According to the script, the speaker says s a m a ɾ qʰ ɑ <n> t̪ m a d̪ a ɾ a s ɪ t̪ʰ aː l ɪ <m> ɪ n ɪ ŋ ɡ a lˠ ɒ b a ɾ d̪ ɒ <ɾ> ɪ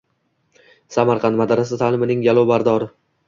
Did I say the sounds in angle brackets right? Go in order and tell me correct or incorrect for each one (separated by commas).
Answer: correct, correct, correct